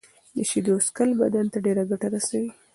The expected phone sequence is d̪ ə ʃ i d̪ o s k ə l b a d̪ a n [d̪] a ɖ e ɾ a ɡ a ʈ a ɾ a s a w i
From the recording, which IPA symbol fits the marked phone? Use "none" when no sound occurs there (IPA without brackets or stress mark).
t̪